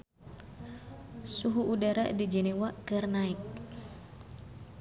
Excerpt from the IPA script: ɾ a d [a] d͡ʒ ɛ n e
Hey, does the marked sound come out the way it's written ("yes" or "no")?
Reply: no